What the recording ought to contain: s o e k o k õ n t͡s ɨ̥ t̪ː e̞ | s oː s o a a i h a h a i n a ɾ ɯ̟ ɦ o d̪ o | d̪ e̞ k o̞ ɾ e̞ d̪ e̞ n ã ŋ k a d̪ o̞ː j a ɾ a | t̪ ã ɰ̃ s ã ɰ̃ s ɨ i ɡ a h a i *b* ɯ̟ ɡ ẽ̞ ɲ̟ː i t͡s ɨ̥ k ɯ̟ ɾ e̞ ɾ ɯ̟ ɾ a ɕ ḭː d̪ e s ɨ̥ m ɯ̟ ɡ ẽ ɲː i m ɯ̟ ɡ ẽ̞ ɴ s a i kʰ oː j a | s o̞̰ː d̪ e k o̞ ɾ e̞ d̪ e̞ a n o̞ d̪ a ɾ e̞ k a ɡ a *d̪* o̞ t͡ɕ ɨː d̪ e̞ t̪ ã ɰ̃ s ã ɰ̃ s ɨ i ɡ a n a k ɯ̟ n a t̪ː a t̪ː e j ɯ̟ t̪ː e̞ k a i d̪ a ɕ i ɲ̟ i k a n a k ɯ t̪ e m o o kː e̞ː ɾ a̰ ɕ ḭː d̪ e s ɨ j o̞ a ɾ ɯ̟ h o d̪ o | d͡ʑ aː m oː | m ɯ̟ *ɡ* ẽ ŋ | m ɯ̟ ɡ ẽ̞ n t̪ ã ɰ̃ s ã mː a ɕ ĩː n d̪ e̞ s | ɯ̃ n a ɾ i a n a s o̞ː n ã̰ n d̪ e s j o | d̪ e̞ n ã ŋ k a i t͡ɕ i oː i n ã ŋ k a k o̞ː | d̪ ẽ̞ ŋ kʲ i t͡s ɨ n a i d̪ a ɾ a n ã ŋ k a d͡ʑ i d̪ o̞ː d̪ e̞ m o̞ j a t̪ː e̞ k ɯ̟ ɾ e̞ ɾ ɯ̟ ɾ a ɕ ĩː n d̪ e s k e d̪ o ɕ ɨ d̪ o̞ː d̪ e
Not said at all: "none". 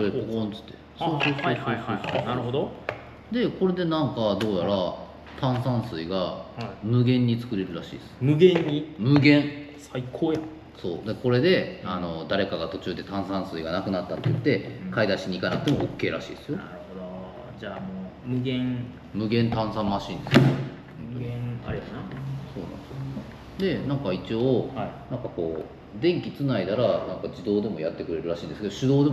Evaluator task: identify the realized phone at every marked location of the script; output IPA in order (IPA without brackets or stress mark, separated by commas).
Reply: m, t̪, ɡ